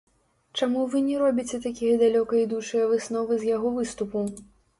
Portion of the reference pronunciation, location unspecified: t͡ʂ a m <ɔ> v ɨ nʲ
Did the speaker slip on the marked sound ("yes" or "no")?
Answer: yes